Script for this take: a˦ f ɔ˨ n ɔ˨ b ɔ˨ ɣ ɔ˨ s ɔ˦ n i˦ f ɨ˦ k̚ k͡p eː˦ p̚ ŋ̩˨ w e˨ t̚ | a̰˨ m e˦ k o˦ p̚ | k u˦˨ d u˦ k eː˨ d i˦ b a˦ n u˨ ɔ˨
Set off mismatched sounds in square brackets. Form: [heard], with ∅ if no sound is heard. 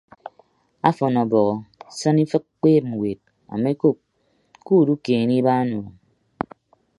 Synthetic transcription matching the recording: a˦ f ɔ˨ n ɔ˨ b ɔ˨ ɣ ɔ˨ s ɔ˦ n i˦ f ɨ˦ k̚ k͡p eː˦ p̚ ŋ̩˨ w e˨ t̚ | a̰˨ m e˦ k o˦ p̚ | k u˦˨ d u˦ k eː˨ [n] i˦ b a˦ n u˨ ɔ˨